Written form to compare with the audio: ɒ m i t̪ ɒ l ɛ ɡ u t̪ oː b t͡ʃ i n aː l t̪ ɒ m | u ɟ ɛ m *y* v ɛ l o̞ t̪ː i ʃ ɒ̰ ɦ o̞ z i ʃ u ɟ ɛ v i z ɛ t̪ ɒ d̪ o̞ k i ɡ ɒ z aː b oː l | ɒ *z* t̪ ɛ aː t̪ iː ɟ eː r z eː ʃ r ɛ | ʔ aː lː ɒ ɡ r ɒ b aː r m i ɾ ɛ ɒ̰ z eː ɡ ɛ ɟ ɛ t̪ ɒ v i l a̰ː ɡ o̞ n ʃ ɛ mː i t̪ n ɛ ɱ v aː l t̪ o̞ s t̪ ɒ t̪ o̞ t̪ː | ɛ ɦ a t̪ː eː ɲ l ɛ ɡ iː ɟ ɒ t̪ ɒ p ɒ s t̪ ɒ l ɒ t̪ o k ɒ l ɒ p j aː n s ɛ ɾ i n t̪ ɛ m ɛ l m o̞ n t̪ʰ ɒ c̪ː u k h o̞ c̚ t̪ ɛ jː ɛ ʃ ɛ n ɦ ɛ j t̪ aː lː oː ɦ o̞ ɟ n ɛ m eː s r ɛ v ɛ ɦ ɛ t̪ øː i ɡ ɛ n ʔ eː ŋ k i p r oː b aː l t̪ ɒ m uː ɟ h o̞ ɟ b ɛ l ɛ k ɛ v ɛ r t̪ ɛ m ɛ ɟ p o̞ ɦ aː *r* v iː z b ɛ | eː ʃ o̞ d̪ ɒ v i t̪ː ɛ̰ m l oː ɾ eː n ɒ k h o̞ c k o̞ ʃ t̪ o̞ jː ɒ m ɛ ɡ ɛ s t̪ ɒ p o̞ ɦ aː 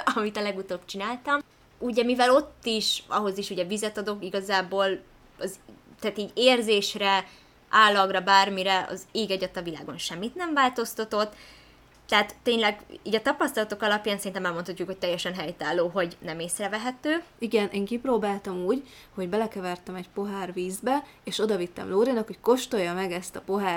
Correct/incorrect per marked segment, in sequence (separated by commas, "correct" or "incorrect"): incorrect, correct, correct